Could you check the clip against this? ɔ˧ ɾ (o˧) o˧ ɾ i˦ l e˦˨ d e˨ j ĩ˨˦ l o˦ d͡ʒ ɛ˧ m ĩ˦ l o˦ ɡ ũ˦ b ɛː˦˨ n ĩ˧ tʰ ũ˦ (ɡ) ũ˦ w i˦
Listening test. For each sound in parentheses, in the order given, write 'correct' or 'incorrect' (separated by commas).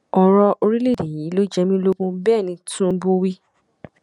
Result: incorrect, incorrect